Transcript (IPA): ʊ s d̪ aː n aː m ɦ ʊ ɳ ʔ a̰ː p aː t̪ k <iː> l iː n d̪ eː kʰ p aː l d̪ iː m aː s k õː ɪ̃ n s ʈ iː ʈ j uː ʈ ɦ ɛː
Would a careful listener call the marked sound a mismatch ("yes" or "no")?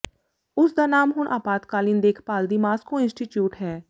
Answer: yes